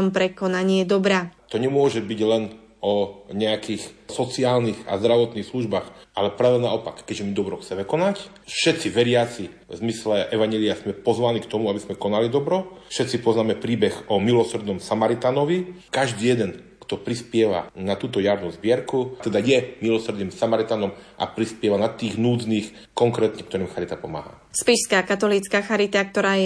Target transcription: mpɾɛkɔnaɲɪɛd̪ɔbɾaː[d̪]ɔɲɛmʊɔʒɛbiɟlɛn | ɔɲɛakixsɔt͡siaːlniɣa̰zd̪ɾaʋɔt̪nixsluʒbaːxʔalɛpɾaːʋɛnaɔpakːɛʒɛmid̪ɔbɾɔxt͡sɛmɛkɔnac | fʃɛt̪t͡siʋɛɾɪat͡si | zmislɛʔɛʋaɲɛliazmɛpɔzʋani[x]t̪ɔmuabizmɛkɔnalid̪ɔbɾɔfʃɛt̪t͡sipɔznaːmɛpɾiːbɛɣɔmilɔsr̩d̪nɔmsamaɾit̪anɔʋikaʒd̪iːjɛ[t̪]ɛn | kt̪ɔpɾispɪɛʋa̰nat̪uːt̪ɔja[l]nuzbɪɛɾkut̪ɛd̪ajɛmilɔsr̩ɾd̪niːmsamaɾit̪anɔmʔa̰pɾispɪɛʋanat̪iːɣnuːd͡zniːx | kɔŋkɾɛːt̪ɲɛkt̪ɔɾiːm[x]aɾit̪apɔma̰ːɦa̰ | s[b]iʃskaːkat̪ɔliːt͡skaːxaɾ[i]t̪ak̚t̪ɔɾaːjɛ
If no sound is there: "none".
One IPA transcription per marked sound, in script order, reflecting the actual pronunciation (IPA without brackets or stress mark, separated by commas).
t̪, k, d̪, ɾ, x, p, i